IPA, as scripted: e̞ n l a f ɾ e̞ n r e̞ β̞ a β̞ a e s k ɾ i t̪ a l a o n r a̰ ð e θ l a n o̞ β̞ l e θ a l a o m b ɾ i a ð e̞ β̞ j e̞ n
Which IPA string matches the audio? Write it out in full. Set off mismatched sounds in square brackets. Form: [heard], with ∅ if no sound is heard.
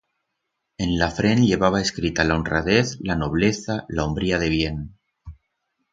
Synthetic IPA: e̞ n l a f ɾ e̞ n [ʎ] e̞ β̞ a β̞ a e s k ɾ i t̪ a l a o n r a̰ ð e θ l a n o̞ β̞ l e θ a l a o m b ɾ i a ð e̞ β̞ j e̞ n